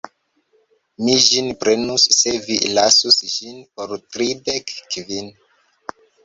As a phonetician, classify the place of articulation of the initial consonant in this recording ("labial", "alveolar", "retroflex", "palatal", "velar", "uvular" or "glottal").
labial